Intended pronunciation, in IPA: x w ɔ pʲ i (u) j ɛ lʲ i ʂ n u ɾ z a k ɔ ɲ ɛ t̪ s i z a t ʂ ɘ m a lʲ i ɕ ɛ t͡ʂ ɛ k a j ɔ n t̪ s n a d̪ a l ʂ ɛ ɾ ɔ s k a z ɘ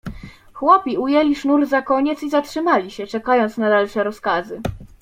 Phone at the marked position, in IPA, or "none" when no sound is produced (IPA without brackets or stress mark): u